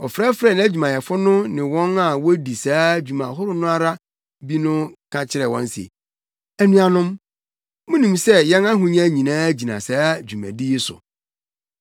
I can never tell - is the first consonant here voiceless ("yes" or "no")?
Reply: yes